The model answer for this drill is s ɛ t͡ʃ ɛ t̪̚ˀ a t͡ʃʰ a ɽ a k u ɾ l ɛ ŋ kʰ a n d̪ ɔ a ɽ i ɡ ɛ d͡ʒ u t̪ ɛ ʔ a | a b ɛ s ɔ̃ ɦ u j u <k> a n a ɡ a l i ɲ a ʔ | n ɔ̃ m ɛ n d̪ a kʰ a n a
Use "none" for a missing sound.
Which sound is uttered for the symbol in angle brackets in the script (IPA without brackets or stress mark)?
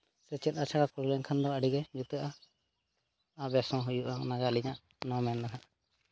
ʔ